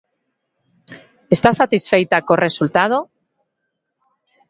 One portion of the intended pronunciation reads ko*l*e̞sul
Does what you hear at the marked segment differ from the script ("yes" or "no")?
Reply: yes